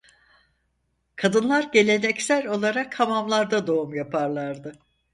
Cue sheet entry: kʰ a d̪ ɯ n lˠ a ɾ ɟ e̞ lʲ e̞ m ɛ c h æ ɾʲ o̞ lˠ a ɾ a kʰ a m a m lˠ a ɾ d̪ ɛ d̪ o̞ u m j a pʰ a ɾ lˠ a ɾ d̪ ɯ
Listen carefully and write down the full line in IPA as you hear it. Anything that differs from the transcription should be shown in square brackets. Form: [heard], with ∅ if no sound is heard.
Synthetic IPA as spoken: kʰ a d̪ ɯ n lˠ a ɾ ɟ e̞ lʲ e̞ [n] ɛ c [s] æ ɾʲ o̞ lˠ a ɾ a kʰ a m a m lˠ a ɾ d̪ [a] d̪ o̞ u m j a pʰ a ɾ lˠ a ɾ d̪ ɯ